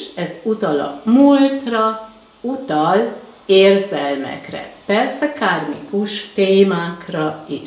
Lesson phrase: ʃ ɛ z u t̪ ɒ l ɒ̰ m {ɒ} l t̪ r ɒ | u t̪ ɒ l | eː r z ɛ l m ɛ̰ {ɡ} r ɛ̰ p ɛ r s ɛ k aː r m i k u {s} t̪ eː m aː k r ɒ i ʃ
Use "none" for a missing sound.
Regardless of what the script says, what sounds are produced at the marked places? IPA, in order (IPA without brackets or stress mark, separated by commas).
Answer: u, k, ʃ